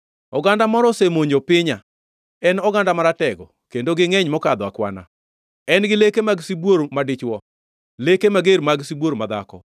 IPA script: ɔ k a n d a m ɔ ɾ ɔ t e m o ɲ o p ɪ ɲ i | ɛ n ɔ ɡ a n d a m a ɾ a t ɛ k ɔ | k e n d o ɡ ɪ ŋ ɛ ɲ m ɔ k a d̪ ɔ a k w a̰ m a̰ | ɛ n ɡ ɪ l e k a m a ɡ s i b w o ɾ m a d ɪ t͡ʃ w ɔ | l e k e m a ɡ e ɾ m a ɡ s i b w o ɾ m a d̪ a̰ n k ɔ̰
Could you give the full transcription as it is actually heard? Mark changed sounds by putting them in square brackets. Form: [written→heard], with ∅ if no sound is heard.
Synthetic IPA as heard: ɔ [k→ɡ] a n d a m ɔ ɾ ɔ [t→s] e m o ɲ o p ɪ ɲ [i→a] | ɛ n ɔ ɡ a n d a m a ɾ a t ɛ [k→ɡ] ɔ | k e n d o ɡ ɪ ŋ ɛ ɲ m ɔ k a d̪ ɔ a k w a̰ [m→n] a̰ | ɛ n ɡ ɪ l e k [a→e] m a ɡ s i b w o ɾ m a d ɪ t͡ʃ w ɔ | l e k e m a ɡ e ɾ m a ɡ s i b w o ɾ m a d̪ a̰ [n→∅] k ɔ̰

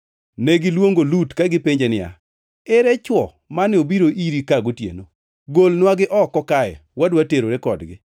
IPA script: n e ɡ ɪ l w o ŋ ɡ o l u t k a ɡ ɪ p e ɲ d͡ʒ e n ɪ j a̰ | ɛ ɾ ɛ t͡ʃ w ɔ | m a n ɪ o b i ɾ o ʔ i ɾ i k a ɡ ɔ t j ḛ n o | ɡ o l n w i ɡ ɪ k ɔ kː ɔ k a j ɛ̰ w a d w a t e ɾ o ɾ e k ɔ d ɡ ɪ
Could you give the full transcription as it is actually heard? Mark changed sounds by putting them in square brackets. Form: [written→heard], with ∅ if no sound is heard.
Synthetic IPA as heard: n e ɡ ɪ l w o ŋ ɡ o l u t k a ɡ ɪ p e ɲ d͡ʒ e n ɪ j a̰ | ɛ ɾ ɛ t͡ʃ w ɔ | m a n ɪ o b i ɾ o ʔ i ɾ i k a ɡ [ɔ→o] t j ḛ n o | ɡ o l n w [i→a] ɡ ɪ [k→ʔ] ɔ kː ɔ k a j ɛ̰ w a d w a t e ɾ o ɾ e k ɔ d ɡ ɪ

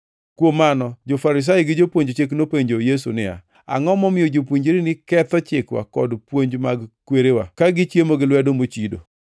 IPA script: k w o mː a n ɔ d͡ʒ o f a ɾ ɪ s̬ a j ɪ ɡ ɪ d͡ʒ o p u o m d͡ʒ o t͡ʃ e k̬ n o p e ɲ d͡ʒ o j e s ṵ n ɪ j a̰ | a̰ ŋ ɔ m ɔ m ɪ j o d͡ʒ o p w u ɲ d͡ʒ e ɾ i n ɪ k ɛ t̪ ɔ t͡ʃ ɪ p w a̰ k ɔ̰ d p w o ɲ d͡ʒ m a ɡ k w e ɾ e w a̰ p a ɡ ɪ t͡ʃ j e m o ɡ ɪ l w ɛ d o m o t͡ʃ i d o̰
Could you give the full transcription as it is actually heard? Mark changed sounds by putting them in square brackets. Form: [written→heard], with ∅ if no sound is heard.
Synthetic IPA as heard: k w o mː a n ɔ d͡ʒ o f a ɾ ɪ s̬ a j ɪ ɡ ɪ d͡ʒ o p [u→w] o [m→ɲ] d͡ʒ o t͡ʃ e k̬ n o p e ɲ d͡ʒ o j e s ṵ n ɪ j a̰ | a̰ ŋ ɔ m ɔ m ɪ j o d͡ʒ o p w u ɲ d͡ʒ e ɾ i n ɪ k ɛ t̪ ɔ t͡ʃ ɪ [p→k] w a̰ k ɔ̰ d p w o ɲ d͡ʒ m a ɡ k w e ɾ e w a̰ [p→k] a ɡ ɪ t͡ʃ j e m o ɡ ɪ l w ɛ d o m o t͡ʃ i d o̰

